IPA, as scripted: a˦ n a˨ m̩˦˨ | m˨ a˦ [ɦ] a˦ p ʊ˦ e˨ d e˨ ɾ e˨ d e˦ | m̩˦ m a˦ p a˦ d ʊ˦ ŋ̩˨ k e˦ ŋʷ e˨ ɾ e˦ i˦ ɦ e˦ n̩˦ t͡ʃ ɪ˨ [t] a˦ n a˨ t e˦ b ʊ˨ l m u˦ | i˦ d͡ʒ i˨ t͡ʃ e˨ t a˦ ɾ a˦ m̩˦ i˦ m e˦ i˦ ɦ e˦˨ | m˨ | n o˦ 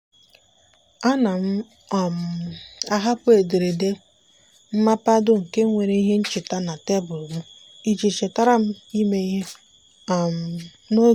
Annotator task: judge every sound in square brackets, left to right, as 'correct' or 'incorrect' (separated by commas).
correct, correct